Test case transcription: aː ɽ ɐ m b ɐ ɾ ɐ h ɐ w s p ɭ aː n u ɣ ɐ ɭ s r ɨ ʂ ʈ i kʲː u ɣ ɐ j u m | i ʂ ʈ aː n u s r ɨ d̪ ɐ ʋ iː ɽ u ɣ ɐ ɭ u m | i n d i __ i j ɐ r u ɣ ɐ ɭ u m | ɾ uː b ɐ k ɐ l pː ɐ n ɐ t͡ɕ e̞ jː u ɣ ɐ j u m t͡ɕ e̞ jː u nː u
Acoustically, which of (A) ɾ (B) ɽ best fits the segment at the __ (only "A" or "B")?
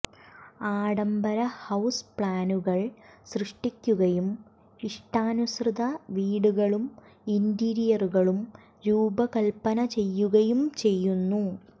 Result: A